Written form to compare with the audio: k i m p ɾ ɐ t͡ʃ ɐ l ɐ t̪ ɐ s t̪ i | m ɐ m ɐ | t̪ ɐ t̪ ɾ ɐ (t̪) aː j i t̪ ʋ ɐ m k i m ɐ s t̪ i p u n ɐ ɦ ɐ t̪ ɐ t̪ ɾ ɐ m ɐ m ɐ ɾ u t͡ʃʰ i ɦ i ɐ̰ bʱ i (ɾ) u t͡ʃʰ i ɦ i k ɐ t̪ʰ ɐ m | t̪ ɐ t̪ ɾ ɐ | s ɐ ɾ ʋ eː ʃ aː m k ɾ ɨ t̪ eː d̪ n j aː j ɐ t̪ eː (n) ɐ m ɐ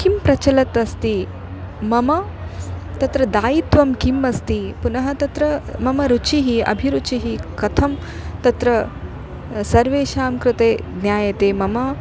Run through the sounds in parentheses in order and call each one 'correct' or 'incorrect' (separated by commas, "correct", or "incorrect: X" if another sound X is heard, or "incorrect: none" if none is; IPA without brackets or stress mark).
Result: incorrect: d̪, correct, incorrect: m